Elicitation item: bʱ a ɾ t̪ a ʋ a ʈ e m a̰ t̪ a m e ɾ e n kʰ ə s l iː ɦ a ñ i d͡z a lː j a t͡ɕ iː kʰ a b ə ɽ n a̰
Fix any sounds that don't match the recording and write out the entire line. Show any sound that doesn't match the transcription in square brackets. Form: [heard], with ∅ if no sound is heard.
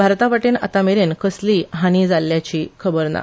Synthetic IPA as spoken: bʱ a ɾ t̪ a ʋ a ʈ e [n] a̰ t̪ a m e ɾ e n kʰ ə s l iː ɦ a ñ i d͡z a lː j a t͡ɕ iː kʰ [ə] b ə [ɾ] n a̰